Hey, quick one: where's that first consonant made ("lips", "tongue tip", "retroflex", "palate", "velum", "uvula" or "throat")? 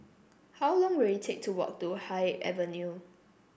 throat